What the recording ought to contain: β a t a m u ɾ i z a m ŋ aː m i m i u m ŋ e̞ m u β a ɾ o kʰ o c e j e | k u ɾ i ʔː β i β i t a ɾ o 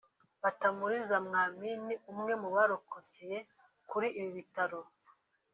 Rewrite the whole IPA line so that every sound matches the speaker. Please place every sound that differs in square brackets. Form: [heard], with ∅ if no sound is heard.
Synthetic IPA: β a t a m u ɾ i z a m ŋ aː m i [n] i u m ŋ e̞ m u β a ɾ o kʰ o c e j e | k u ɾ i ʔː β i β i t a ɾ o